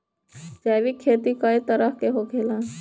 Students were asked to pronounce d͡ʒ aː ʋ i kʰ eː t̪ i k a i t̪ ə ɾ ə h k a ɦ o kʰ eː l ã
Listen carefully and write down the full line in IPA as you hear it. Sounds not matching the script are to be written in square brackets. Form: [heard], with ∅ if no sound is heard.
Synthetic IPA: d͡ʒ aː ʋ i kʰ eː t̪ i k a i t̪ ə ɾ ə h k [e] ɦ o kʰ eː l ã